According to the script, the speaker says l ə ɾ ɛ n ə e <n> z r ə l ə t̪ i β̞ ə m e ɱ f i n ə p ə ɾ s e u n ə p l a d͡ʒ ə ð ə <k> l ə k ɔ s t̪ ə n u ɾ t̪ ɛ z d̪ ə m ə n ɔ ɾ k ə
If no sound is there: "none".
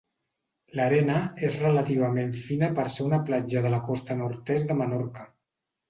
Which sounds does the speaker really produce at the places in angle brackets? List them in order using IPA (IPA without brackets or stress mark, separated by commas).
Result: none, none